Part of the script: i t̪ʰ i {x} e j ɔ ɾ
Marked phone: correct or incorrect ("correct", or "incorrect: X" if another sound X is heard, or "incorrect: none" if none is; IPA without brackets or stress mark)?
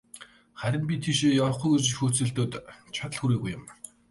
incorrect: ʃ